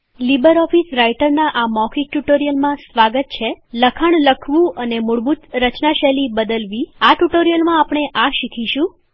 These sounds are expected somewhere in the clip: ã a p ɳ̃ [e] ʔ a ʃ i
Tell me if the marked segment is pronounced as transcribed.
yes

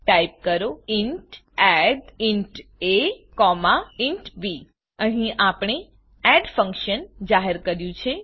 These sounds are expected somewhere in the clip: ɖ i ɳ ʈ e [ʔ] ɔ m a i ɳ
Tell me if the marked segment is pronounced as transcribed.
no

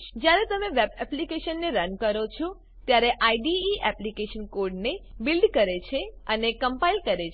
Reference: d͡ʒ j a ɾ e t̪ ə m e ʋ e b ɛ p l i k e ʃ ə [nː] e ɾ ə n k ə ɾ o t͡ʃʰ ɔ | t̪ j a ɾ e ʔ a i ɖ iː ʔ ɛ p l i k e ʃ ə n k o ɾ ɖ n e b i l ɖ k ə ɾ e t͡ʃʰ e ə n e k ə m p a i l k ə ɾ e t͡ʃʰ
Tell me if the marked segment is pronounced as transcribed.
yes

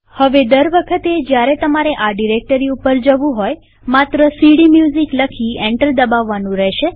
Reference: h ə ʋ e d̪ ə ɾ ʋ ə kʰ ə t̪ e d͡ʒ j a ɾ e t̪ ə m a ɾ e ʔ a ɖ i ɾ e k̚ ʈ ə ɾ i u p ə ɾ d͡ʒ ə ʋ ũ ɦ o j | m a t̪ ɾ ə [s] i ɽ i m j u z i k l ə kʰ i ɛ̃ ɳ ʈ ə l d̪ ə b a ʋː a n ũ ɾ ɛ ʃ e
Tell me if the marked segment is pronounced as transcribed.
yes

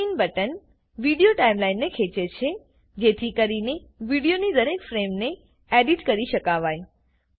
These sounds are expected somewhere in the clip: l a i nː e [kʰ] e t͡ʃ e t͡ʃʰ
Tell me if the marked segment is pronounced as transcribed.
yes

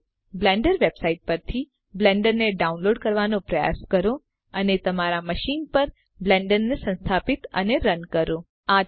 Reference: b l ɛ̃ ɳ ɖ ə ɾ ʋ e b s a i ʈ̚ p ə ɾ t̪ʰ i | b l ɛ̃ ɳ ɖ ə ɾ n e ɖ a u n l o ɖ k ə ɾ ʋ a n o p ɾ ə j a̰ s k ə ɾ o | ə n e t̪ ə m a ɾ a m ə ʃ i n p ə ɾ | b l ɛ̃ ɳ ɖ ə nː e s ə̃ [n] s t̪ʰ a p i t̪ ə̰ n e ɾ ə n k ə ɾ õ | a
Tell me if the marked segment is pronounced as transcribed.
yes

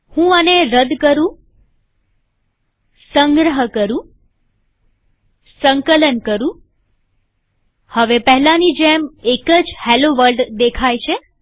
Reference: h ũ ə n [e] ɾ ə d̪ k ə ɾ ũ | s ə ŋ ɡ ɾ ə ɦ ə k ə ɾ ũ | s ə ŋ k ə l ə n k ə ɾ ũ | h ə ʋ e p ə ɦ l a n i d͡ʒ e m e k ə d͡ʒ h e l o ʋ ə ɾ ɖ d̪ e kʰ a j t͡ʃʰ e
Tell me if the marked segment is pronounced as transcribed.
yes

